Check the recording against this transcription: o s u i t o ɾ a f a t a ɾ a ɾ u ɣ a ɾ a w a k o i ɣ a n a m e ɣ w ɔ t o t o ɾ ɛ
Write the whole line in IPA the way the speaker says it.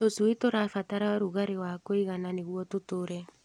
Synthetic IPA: o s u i t o ɾ a f a t a ɾ a ɾ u ɣ a ɾ e w a k o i ɣ a n a n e ɣ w ɔ t o t o ɾ ɛ

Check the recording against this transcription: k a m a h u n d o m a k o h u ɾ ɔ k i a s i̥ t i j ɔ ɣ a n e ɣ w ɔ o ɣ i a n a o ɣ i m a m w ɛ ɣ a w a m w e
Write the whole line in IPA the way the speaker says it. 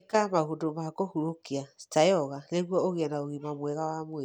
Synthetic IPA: k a m a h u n d o m a k o h u ɾ o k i a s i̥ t a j ɔ ɣ a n e ɣ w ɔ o ɣ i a n a o ɣ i m a m w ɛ ɣ a w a m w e

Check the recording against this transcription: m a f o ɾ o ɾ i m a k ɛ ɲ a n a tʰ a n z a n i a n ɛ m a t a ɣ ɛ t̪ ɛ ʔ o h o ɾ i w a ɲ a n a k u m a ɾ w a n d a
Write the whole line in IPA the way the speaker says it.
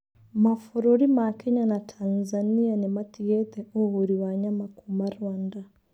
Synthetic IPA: m a f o ɾ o ɾ i m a k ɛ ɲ a n a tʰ a n z a n i a n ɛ m a t i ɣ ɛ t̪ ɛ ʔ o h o ɾ i w a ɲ a m a k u m a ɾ w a n d a

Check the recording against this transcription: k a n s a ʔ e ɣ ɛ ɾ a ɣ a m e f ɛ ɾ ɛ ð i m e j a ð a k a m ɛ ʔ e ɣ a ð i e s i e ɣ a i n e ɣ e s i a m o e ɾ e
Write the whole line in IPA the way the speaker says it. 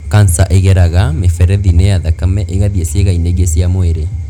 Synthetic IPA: k a n s a ʔ e ɣ ɛ ɾ a ɣ a m e f ɛ ɾ ɛ ð i n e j a ð a k a m ɛ ʔ e ɣ a ð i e s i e ɣ a i n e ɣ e s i a m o e ɾ e

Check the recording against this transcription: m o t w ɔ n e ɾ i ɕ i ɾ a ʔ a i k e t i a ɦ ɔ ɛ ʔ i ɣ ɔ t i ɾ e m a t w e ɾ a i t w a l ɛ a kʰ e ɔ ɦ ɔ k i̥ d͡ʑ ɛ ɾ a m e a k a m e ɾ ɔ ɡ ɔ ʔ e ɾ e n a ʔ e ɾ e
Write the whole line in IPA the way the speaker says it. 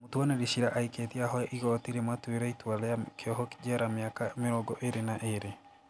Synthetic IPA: m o t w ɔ n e ɾ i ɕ i ɾ a ʔ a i k e t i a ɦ ɔ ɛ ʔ i ɣ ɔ t i ɾ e m a t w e ɾ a i t w a l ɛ a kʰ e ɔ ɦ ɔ k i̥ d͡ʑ ɛ ɾ a m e a k a m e ɾ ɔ ɡ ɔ ʔ e ɾ e n a ʔ e ɾ e

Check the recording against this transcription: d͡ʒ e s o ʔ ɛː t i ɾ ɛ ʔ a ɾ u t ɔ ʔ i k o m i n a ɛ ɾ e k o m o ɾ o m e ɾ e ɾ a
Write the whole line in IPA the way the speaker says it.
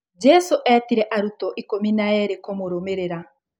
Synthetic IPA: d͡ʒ ɛ s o ʔ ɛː t i ɾ ɛ ʔ a ɾ u t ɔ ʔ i k o m i n a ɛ ɾ e k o m o ɾ o m e ɾ e ɾ a

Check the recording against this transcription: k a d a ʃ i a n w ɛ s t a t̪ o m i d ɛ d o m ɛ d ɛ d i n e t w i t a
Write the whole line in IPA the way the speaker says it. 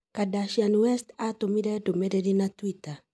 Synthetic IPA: k a d a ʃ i a n w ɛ s t a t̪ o m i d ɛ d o m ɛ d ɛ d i n a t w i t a

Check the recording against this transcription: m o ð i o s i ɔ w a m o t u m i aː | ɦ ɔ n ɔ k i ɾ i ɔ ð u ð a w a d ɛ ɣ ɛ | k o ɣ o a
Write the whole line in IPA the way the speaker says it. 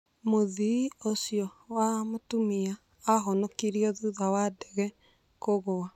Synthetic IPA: m o ð i o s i ɔ w a m o t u m i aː | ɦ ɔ n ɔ k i ɾ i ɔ ð u ð a w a d ɛ ɣ ɛ | k o ɣ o a

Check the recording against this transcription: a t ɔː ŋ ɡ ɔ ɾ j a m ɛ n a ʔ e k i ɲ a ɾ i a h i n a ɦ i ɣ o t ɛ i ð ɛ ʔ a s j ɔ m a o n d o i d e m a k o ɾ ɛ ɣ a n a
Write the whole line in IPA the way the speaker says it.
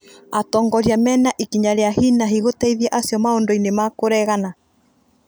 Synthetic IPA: a t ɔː ŋ ɡ ɔ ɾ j a m ɛ n a ʔ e k i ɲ a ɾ e a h i n a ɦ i ɣ o t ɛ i ð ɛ ʔ a s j ɔ m a o n d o i n e m a k o ɾ ɛ ɣ a n a

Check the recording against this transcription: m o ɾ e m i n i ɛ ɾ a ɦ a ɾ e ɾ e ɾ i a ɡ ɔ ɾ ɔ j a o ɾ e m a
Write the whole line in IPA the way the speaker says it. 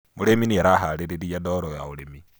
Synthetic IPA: m o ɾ e m i n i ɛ ɾ a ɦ a ɾ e ɾ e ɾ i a d ɔ ɾ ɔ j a o ɾ e m i

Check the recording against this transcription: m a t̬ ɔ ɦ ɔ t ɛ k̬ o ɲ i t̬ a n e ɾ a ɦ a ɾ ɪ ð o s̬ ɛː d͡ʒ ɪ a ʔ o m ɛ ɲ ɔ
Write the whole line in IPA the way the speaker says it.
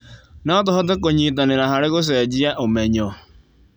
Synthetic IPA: n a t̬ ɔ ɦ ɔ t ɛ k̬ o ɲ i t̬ a n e ɾ a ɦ a ɾ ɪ ɣ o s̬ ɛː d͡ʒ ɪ a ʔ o m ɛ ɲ ɔ

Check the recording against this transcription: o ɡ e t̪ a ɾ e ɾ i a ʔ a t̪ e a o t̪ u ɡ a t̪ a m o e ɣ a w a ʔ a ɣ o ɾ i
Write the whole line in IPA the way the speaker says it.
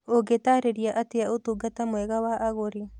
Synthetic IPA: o ɡ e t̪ a ɾ e ɾ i a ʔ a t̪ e a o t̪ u ɡ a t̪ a m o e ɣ a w a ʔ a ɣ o ɾ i

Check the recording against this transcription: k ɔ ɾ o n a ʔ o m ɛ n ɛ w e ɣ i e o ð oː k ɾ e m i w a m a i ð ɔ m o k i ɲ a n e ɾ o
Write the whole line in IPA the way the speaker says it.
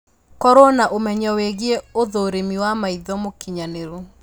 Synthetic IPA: k ɔ ɾ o n a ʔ o m ɛ ɲ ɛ w e ɣ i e o ð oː ɾ e m i w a m a i ð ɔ m o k i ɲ a n e ɾ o

